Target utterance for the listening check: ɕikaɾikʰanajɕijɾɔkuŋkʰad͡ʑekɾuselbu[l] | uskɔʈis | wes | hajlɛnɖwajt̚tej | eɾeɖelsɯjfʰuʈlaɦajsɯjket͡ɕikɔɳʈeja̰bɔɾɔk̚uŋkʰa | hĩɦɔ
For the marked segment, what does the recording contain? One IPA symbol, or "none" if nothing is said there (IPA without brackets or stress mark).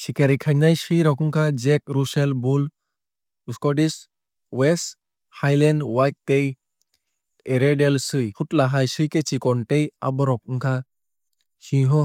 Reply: l